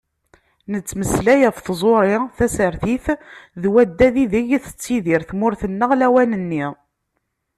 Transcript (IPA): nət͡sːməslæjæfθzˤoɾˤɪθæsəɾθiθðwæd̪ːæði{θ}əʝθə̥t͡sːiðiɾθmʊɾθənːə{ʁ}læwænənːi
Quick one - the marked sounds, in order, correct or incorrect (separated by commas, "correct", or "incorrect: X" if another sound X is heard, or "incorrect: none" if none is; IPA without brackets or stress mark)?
incorrect: ð, correct